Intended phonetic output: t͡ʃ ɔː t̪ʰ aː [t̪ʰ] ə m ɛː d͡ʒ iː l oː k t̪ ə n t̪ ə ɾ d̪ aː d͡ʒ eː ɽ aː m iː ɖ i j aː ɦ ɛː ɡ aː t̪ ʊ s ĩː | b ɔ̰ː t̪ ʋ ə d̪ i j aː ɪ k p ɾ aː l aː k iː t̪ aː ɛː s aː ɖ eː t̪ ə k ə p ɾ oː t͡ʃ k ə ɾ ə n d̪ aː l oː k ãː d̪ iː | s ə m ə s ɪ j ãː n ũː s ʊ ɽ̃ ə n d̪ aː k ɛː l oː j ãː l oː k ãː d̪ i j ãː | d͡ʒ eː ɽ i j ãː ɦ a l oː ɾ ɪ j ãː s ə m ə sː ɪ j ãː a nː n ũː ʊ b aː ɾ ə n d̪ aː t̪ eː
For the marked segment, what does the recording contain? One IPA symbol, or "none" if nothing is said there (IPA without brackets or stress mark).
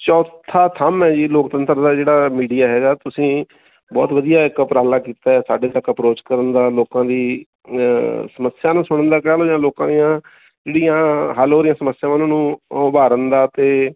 t̪ʰ